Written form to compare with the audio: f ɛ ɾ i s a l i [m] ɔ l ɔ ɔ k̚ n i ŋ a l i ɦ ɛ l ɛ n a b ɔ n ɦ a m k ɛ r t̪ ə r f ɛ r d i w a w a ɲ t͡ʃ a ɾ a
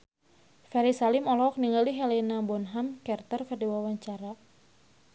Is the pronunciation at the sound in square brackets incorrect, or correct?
correct